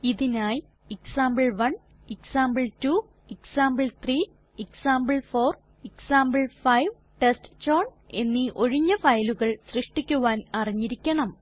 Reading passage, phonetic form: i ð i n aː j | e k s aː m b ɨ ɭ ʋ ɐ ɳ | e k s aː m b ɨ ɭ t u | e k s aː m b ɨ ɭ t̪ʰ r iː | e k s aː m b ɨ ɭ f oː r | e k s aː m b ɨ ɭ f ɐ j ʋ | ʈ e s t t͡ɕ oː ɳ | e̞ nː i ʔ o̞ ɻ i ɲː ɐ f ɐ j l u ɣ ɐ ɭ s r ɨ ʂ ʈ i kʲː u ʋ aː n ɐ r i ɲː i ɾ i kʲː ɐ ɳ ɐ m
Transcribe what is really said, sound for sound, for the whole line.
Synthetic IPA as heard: i ð i n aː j | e k s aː m b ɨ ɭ ʋ ɐ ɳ | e k s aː m b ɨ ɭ t u | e k s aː m b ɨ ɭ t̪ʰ r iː | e k s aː m b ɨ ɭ f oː r | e k s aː m b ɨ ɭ f ɐ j ʋ | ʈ e s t t͡ɕ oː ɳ | e̞ nː i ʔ o̞ ɻ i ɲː ɐ f ɐ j l u ɣ ɐ ɭ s r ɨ ʂ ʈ i kʲː u ʋ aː n ɐ r i ɲː i ɾ i kʲː ɐ ɳ ɐ m